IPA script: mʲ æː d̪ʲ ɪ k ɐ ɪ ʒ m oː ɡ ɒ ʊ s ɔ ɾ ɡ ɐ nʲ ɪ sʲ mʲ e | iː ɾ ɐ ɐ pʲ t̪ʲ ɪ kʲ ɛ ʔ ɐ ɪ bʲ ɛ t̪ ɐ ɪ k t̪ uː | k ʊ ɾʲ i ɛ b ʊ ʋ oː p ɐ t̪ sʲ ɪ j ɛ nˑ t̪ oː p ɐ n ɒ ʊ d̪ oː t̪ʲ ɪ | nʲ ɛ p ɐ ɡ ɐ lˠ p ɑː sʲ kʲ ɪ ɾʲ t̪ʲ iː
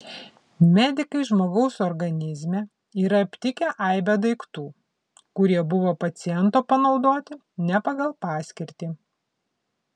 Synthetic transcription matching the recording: mʲ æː d̪ʲ ɪ k ɐ ɪ ʒ m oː ɡ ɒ ʊ s ɔ ɾ ɡ ɐ nʲ ɪ zʲ mʲ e | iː ɾ ɐ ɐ pʲ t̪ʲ ɪ kʲ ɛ ʔ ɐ ɪ bʲ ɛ d̪ ɐ ɪ k t̪ uː | k ʊ ɾʲ i ɛ b ʊ ʋ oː p ɐ t̪ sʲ ɪ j ɛ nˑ t̪ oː p ɐ n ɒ ʊ d̪ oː t̪ʲ ɪ | nʲ ɛ p ɐ ɡ ɐ lˠ p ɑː sʲ kʲ ɪ ɾʲ t̪ʲ iː